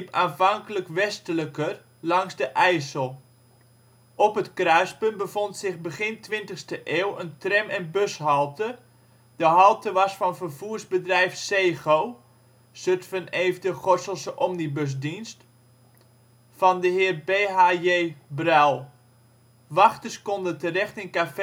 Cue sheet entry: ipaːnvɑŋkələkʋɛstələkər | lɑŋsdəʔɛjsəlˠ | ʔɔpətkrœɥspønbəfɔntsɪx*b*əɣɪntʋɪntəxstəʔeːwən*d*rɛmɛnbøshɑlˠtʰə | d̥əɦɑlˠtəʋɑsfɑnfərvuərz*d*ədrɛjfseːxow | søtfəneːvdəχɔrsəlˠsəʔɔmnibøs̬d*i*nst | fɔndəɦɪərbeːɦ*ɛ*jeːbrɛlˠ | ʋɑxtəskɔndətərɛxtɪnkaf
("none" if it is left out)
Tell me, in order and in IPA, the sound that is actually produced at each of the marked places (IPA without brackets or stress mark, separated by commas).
b, t, b, i, a